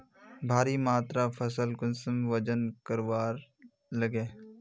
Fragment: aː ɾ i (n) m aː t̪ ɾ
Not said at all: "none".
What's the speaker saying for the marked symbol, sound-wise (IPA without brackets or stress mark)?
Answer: none